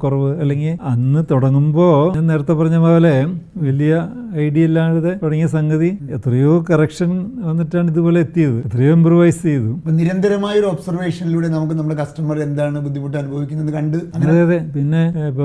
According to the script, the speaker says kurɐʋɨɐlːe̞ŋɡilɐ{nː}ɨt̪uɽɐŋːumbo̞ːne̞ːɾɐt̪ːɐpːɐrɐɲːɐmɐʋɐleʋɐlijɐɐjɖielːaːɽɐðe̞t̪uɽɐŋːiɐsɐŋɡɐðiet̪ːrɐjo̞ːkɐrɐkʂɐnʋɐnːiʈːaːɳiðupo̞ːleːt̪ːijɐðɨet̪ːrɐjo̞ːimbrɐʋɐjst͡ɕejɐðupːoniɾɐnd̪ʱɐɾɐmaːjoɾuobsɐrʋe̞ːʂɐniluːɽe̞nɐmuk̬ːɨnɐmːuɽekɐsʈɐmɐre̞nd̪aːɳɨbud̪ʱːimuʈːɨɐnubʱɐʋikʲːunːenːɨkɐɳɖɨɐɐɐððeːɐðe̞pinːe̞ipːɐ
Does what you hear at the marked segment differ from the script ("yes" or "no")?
no